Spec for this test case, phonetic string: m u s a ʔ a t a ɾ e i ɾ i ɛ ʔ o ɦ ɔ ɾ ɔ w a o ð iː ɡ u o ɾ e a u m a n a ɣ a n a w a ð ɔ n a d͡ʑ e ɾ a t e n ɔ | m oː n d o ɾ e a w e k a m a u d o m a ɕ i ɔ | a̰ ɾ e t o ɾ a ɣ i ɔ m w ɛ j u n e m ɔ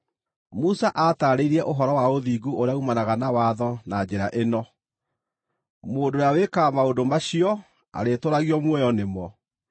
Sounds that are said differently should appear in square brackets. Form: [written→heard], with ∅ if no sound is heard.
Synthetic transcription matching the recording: m u s a ʔ a t a ɾ e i ɾ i ɛ ʔ o ɦ ɔ ɾ ɔ w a o ð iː ɡ u o ɾ e a u m a n a ɣ a n a w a ð ɔ n a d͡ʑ e ɾ a [t→ʔ] e n ɔ | m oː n d o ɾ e a w e k a m a [u→o] d o m a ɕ i ɔ | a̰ ɾ e t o ɾ a ɣ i ɔ m w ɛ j [u→ɔ] n e m ɔ